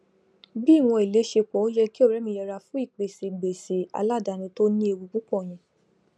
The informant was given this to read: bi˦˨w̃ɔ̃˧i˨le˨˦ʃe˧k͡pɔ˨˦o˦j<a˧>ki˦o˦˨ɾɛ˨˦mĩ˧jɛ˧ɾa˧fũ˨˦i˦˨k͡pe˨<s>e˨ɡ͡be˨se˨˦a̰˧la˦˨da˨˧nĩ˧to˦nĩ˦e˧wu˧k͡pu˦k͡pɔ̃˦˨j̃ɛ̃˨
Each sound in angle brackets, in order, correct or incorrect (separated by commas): incorrect, correct